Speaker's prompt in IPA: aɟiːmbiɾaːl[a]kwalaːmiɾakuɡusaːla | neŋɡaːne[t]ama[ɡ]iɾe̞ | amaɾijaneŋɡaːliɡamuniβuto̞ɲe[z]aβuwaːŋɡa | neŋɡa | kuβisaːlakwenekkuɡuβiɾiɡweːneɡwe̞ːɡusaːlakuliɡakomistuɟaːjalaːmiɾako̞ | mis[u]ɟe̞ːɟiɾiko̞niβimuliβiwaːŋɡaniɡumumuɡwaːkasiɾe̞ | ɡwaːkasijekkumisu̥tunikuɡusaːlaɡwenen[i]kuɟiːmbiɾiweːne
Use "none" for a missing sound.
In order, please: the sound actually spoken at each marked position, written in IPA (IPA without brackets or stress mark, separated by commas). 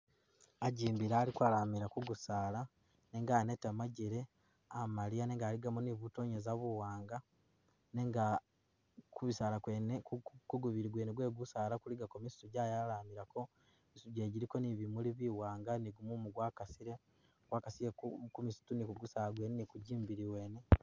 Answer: i, t, ɟ, z, u, i